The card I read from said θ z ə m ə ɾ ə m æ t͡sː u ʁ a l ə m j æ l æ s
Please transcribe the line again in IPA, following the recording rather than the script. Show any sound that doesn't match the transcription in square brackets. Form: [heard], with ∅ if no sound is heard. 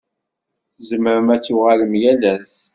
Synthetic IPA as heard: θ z ə m ə ɾ ə m æ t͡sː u ʁ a l ə m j æ l æ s